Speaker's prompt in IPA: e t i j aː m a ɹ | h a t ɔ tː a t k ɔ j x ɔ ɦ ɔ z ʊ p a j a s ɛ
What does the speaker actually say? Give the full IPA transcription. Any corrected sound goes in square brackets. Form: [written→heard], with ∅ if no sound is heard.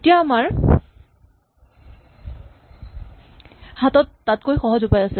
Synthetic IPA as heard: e t i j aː m a ɹ | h a t ɔ tː a t k [ɔ→o] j x ɔ ɦ ɔ z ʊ p a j a s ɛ

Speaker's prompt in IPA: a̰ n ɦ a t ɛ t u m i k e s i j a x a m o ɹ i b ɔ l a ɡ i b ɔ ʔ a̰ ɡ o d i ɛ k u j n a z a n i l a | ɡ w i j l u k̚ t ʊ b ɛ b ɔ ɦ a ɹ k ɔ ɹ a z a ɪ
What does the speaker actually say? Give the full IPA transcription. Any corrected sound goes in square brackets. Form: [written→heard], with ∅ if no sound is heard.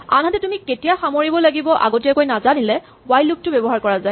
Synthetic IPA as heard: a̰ n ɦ a t ɛ t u m i k e [s→t] i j a x a m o ɹ i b ɔ l a ɡ i b ɔ ʔ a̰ ɡ o [d→t] i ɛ k [u→o] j n a z a n i l [a→ɛ] | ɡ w [i→a] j l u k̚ t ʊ b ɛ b ɔ ɦ a ɹ k ɔ ɹ a z a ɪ

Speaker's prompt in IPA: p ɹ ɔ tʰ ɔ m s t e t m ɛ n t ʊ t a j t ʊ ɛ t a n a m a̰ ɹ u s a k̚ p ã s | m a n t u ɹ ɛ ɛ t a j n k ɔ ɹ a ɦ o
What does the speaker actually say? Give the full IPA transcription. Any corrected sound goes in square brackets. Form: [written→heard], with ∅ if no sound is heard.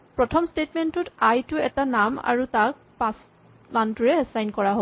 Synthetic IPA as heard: p ɹ ɔ tʰ ɔ m s t e t m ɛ n t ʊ t a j t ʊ ɛ t a n a m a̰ ɹ u [s→t] a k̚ p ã s | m a n t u ɹ ɛ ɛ [t→s] a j n k ɔ ɹ a ɦ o

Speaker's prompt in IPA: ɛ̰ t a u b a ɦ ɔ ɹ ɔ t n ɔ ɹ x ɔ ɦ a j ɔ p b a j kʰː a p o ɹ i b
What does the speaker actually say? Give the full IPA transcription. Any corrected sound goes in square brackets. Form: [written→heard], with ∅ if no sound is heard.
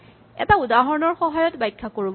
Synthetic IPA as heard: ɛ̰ t a u [b→d] a ɦ ɔ ɹ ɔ [t→∅] n ɔ ɹ x ɔ ɦ a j ɔ [p→t] b a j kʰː a [p→k] o ɹ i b

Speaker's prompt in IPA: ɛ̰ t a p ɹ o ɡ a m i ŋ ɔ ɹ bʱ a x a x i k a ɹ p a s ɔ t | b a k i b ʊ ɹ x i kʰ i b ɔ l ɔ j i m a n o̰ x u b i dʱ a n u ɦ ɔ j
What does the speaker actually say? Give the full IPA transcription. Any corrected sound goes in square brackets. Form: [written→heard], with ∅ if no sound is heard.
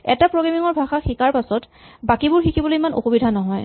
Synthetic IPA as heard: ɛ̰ t a p ɹ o ɡ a m i ŋ ɔ ɹ bʱ a x a x i k a ɹ p a s ɔ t | b a k i b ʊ ɹ x i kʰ i b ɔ l [ɔ→o] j i m a n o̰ x u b i dʱ a n [u→ɔ] ɦ ɔ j

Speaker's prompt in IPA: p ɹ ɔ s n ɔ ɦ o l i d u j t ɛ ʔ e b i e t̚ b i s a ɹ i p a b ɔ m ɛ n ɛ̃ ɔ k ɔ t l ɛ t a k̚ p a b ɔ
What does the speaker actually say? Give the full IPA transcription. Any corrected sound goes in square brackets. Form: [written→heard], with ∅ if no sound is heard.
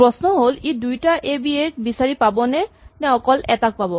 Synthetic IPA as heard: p ɹ ɔ s n ɔ ɦ o l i d u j t [ɛ→a] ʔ e b i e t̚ b i s a ɹ i p a b ɔ [m→n] ɛ n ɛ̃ ɔ k ɔ [t→∅] l ɛ t a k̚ p a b ɔ

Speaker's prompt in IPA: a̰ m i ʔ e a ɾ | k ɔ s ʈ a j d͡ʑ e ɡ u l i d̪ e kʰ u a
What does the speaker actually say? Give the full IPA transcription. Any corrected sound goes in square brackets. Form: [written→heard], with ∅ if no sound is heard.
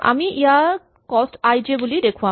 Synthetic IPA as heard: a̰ m i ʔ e a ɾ | k ɔ s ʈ a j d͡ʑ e [ɡ→b] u l i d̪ e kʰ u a

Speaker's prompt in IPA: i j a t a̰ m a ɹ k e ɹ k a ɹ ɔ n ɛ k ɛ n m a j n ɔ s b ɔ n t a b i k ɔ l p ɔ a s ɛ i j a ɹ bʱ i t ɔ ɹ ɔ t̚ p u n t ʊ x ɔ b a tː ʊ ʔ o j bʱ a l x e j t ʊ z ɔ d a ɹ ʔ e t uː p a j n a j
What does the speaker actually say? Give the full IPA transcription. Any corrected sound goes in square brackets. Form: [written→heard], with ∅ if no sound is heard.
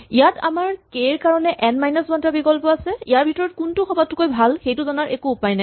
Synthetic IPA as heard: i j a t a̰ m a ɹ k e ɹ k a ɹ ɔ n ɛ [k→ʔ] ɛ n m a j n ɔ s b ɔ n t a b i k ɔ l p ɔ a s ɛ i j a ɹ bʱ i t ɔ ɹ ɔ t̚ [p→k] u n t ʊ x ɔ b a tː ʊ [ʔ→k] o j bʱ a l x e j t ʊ z ɔ [d→n] a ɹ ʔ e [t→k] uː p a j n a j

